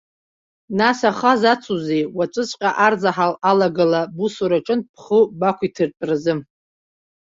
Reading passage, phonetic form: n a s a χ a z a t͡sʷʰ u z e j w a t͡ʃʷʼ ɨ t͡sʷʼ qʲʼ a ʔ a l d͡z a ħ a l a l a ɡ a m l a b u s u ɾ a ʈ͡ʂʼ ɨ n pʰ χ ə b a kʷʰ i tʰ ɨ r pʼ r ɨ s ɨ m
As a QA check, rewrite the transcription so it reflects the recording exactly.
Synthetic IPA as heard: n a s a χ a z a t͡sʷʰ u z e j w a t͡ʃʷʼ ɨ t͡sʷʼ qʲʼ a ʔ a r d͡z a ħ a l a l a ɡ a l a b u s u ɾ a ʈ͡ʂʼ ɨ n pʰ χ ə b a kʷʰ i tʰ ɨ r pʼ r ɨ z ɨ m